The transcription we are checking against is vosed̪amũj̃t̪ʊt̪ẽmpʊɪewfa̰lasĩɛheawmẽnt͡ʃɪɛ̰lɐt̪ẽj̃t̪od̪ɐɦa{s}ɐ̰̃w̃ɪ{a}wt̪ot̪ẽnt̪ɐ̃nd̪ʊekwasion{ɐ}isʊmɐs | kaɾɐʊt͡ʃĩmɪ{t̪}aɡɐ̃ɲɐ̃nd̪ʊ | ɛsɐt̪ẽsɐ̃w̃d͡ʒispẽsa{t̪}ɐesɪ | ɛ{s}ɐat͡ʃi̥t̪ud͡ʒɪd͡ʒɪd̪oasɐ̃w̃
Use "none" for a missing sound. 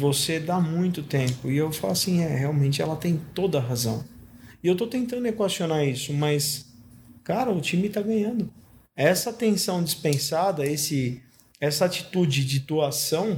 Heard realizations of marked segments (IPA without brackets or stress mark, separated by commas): z, e, a, t̪, d̪, s